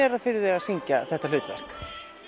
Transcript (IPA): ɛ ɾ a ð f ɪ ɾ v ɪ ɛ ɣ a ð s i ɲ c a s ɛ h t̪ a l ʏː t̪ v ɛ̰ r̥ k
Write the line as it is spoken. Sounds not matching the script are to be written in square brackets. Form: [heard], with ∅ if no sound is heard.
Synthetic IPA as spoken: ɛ ɾ a ð f ɪ ɾ [ð] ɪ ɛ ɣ a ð s i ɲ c a [θ] ɛ h t̪ a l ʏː t̪ v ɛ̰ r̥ k